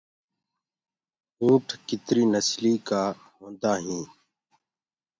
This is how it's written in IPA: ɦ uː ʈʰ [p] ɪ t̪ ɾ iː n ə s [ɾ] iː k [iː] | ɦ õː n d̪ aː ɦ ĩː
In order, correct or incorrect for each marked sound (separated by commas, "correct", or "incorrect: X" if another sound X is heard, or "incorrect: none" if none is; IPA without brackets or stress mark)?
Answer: incorrect: k, incorrect: l, incorrect: aː